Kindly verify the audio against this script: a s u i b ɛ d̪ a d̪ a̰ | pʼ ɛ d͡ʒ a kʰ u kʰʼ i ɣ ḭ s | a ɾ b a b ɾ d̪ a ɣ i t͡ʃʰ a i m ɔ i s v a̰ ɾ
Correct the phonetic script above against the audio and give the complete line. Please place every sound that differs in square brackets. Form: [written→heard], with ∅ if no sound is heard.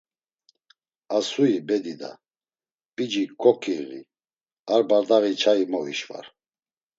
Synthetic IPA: a s u i b ɛ d̪ [a→i] d̪ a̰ | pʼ [ɛ→i] d͡ʒ [a→i] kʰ [u→ɔ] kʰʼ i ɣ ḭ [s→∅] | a ɾ b a [b→∅] ɾ d̪ a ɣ i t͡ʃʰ a i m ɔ i [s→ʃ] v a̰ ɾ